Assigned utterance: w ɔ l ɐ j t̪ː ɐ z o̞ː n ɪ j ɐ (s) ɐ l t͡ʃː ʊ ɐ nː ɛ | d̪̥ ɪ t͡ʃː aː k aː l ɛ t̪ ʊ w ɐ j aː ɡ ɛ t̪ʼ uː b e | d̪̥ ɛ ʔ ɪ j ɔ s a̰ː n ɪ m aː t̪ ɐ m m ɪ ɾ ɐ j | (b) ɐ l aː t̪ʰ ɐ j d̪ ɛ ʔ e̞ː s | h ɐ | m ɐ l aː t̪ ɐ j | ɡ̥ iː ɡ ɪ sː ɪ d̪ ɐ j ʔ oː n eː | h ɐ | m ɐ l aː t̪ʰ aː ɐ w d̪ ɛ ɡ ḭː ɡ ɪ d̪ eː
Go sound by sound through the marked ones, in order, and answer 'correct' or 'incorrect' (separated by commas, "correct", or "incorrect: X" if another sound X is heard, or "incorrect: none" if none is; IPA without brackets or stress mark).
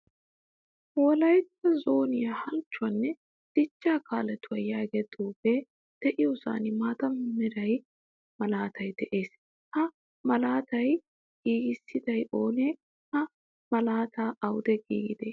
incorrect: h, incorrect: m